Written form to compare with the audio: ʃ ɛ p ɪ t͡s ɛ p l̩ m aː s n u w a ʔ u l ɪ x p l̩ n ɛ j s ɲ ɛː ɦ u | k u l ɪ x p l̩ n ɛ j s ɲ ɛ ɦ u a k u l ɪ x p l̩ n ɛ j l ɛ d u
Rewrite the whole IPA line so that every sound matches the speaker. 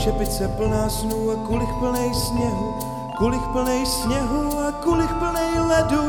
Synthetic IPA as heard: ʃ ɛ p ɪ t͡s ɛ p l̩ n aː s n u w a k u l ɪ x p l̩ n ɛ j s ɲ ɛ ɦ u | k u l ɪ x p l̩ n ɛ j s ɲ ɛ ɦ u a k u l ɪ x p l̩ n ɛ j l ɛ d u